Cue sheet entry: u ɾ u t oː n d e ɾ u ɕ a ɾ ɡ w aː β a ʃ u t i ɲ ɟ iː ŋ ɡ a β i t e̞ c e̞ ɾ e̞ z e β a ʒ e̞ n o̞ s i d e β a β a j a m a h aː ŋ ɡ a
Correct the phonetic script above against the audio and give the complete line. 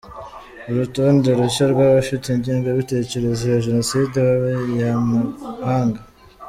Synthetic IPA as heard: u ɾ u t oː n d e ɾ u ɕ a ɾ ɡ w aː β a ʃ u t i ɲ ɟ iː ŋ ɡ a β i t e̞ c e̞ ɾ e̞ z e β a ʒ e̞ n o̞ s i d e β a β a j a m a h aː ŋ ɡ a